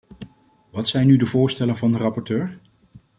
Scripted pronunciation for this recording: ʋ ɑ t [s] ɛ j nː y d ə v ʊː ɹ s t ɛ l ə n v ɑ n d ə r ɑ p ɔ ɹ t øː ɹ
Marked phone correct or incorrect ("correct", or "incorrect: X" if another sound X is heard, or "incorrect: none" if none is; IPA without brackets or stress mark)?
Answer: correct